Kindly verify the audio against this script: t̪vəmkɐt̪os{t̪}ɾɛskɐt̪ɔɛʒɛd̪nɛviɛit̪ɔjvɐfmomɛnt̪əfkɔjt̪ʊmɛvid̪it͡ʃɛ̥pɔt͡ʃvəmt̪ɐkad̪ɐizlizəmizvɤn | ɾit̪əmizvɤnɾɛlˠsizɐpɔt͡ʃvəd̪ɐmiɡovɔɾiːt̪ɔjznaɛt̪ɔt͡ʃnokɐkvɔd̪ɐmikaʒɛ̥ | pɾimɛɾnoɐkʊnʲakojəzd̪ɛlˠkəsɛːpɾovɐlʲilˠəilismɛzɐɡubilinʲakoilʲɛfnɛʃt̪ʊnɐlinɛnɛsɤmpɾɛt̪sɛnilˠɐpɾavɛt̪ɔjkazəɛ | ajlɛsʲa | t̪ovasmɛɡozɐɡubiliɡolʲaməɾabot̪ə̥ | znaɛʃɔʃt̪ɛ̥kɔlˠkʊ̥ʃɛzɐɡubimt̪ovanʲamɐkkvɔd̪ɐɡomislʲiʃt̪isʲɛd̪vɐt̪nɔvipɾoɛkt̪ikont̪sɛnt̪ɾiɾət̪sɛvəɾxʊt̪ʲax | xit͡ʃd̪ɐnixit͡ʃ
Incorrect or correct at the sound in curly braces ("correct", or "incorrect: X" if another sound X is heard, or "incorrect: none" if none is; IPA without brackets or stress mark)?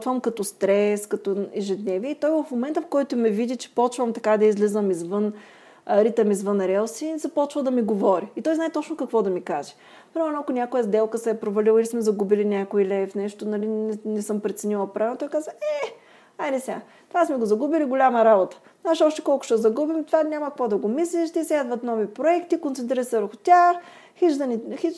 correct